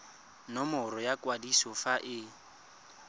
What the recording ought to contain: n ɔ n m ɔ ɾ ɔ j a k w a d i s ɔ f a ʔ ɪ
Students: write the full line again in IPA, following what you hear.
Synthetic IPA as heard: n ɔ m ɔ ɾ ɔ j a k w a d i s ɔ f a ʔ ɪ